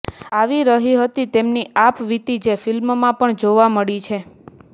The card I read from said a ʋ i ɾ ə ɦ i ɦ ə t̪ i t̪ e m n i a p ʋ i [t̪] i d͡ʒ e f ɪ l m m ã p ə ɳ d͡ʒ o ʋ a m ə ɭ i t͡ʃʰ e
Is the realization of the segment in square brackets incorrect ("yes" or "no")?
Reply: no